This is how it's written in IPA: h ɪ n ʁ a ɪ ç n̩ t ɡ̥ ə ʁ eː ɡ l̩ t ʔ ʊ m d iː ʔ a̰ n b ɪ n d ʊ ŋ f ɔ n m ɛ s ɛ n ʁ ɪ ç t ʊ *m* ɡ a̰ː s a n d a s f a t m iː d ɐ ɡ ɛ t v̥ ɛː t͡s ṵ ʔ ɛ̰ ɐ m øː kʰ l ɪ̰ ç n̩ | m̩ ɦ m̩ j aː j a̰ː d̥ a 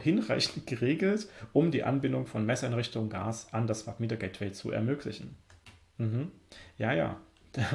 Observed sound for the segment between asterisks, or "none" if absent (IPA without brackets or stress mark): ŋ